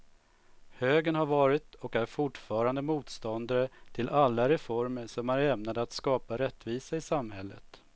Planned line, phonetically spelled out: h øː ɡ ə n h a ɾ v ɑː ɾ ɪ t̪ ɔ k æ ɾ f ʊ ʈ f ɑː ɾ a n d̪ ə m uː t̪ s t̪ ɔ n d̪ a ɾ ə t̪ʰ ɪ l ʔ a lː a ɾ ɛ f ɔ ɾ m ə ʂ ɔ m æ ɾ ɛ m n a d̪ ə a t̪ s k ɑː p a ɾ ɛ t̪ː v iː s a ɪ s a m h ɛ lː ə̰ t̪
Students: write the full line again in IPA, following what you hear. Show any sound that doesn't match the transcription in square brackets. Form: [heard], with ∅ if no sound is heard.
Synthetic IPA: h øː ɡ ə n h a ɾ v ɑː ɾ ɪ t̪ ɔ k æ ɾ f ʊ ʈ f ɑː ɾ a n d̪ ə m uː t̪ s t̪ ɔ n d̪ a ɾ ə t̪ʰ ɪ l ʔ a lː a ɾ ɛ f ɔ ɾ m ə ʂ ɔ m æ ɾ ɛ m n a d̪ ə a t̪ s k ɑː p a ɾ ɛ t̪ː v iː s a ɪ s a m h ɛ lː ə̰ t̪